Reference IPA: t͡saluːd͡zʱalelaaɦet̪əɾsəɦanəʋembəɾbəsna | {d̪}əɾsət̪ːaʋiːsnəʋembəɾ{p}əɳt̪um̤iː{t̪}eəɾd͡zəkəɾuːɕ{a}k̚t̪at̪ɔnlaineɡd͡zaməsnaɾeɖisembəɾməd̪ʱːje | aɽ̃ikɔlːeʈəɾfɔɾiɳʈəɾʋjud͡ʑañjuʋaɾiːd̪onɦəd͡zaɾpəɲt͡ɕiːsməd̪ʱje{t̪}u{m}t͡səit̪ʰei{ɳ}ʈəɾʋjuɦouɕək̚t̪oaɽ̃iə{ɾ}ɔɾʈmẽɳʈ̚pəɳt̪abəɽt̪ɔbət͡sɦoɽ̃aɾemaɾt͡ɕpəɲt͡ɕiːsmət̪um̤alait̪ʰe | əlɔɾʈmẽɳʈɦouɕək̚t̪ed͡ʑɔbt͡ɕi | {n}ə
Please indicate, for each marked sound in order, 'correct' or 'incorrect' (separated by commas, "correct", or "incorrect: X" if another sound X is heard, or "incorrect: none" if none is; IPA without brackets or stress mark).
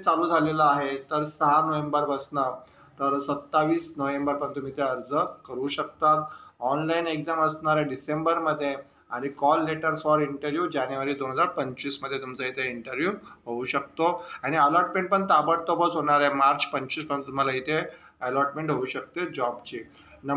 incorrect: t̪, correct, correct, incorrect: ə, correct, correct, correct, incorrect: l, correct